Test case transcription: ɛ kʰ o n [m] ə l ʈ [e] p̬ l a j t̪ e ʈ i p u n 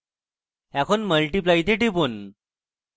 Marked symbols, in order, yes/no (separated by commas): yes, no